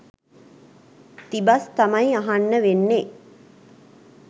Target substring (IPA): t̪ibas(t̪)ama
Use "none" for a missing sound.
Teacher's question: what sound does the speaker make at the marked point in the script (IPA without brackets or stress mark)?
t̪